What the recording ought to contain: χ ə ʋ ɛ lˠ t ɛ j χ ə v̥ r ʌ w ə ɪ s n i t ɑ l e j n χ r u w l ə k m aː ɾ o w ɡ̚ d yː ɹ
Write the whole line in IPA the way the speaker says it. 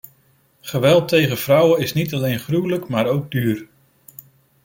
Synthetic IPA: χ ə ʋ ɛ lˠ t e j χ ə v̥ r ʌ w ə ɪ s n i t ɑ l e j n χ r u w l ə k m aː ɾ o w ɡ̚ d yː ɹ